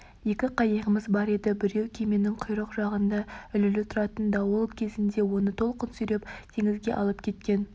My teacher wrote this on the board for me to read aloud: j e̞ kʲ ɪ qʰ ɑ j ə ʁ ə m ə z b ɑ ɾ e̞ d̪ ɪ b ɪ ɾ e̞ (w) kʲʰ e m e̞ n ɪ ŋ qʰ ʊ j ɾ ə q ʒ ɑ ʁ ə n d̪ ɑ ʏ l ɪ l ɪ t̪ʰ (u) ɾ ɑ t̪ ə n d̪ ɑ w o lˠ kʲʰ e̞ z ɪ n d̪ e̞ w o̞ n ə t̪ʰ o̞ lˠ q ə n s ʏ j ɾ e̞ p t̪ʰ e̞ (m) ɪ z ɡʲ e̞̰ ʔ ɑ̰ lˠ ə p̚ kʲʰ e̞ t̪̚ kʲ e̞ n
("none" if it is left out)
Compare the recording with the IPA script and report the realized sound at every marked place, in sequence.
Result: w, ʊ, ŋ

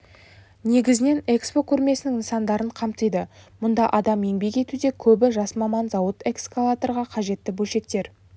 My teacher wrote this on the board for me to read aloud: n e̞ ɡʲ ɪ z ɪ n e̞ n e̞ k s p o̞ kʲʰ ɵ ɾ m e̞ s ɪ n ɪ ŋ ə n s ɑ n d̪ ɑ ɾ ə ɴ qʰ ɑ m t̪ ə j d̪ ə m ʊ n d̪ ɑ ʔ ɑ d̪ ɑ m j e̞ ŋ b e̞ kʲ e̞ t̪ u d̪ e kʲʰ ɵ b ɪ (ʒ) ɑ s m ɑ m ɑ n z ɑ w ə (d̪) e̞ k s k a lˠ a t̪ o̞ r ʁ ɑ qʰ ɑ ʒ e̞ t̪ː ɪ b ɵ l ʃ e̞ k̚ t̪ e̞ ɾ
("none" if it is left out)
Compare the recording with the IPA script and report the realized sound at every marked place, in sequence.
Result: ʒ, t̪

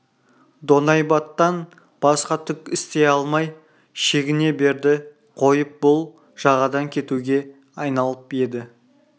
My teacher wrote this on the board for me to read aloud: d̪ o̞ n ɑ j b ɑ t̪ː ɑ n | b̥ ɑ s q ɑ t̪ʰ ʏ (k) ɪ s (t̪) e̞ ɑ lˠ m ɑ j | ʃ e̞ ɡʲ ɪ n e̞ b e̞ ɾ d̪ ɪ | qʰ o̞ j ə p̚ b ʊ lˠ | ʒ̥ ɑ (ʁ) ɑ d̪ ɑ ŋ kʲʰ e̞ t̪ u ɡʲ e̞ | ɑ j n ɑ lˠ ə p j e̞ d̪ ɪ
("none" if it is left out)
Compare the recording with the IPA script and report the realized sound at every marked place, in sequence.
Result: k, t̪, ʁ

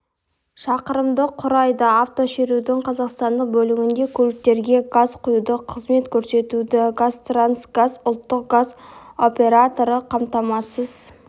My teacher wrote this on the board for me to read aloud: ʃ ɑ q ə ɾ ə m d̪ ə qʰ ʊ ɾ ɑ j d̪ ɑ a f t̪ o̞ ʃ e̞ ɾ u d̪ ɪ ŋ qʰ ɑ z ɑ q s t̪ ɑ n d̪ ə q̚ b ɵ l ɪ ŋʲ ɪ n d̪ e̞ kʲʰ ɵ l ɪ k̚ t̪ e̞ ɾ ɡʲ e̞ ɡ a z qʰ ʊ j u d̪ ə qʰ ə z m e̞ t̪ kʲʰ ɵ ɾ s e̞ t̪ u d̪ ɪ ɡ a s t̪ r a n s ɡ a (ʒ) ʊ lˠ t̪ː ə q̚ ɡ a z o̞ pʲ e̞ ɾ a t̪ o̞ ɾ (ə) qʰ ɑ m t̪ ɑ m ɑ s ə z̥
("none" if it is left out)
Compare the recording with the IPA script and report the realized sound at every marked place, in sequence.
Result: z, ə

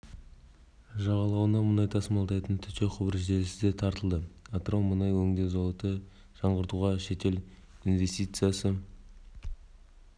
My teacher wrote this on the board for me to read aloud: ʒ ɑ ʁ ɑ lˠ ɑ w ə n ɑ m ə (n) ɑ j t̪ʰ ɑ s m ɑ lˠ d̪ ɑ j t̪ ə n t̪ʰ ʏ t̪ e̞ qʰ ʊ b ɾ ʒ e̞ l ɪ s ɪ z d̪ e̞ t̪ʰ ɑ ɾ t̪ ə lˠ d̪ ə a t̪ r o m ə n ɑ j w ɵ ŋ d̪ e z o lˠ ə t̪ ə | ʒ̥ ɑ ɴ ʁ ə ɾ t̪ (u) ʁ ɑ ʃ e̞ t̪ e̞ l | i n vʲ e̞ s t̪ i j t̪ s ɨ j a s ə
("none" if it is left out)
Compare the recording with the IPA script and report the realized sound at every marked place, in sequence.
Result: n, u

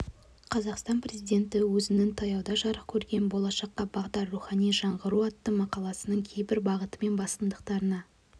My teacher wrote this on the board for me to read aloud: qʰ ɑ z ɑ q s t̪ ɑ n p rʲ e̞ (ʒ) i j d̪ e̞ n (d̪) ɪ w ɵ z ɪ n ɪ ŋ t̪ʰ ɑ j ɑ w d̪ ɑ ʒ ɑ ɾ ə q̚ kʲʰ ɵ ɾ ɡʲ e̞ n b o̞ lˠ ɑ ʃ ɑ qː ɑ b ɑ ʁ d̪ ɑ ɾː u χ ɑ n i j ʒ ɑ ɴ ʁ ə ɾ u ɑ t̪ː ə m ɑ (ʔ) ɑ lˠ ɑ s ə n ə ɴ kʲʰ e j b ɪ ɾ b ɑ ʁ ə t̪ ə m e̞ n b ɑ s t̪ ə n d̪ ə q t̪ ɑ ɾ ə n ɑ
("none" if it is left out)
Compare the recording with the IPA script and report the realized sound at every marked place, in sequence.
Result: z, t̪, q

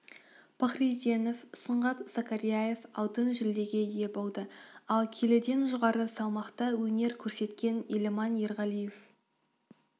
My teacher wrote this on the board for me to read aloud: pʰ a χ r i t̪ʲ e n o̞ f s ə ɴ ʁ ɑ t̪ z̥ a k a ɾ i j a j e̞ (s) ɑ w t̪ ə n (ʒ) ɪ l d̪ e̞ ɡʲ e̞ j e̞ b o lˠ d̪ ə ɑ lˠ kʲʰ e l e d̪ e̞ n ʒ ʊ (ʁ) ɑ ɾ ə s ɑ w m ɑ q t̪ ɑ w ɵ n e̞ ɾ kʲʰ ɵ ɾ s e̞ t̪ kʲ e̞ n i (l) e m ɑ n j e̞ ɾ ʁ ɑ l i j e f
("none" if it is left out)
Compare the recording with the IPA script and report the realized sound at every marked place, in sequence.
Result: f, ʒ, ʁ, l

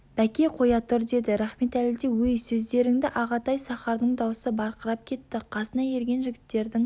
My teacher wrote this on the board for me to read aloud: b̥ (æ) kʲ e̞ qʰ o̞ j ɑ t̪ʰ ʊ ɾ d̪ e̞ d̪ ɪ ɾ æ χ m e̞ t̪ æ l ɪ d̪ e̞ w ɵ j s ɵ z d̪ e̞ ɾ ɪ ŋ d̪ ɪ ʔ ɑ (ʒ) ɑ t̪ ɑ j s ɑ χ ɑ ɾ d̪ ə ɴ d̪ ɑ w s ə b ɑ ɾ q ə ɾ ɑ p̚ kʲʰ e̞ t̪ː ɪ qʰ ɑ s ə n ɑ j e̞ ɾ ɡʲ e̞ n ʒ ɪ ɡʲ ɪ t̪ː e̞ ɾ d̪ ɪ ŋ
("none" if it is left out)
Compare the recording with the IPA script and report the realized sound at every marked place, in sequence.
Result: æ, ʁ

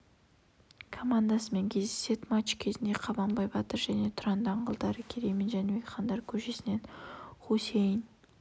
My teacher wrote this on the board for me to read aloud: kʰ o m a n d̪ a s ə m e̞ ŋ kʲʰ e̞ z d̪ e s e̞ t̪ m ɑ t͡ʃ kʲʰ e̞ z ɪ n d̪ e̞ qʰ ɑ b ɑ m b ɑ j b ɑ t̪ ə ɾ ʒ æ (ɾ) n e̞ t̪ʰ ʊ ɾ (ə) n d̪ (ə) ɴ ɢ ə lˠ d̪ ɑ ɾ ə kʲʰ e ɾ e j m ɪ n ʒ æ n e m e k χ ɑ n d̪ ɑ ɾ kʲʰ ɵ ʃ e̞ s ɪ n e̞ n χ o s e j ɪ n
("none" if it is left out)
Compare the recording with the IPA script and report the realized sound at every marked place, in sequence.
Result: none, ɑ, ɑ

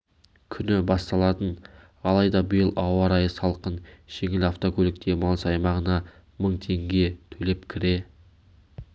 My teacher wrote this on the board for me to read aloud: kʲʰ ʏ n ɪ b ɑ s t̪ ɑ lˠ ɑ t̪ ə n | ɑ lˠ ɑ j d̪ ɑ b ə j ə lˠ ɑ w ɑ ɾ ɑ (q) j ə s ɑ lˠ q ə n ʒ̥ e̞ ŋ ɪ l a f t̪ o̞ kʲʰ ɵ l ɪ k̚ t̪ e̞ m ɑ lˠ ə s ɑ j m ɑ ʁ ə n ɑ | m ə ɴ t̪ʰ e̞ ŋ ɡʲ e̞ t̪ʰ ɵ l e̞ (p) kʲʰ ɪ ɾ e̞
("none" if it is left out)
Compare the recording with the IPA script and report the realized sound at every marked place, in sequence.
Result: none, p

